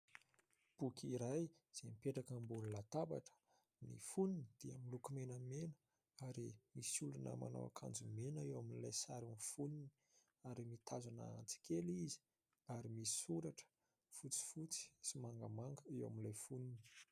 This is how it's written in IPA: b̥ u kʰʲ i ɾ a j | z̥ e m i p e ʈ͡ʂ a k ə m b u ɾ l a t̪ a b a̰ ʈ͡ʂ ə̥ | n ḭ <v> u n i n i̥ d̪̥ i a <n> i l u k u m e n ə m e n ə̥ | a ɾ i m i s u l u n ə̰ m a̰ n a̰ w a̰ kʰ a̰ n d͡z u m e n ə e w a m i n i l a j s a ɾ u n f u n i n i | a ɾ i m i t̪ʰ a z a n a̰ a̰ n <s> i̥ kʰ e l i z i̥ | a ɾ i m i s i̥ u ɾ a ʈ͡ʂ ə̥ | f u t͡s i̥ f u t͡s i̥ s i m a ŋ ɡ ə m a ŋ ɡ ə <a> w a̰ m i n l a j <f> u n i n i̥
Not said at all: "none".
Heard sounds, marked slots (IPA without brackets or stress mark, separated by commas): f, m, t͡s, e, f